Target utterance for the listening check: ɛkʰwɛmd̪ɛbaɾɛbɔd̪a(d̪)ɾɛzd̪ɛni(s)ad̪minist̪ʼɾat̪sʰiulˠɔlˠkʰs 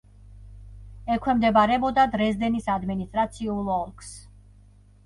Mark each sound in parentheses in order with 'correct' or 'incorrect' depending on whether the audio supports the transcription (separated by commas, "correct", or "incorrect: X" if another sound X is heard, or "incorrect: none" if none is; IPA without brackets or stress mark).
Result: correct, correct